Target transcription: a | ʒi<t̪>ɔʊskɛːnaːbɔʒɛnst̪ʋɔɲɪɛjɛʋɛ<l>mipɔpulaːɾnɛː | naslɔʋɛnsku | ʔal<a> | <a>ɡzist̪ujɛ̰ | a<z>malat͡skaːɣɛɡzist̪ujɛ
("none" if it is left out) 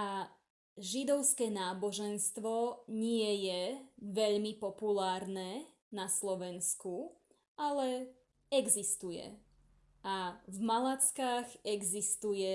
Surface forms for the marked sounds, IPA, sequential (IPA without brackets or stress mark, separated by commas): d̪, ʎ, ɛ, ɛ, v